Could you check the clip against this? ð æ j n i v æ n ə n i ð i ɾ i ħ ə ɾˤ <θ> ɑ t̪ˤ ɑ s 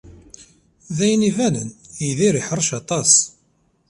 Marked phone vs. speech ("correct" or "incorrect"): incorrect